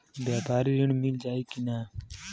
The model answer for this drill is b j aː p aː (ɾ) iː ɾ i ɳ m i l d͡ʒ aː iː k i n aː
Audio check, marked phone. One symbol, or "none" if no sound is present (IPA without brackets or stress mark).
ɾ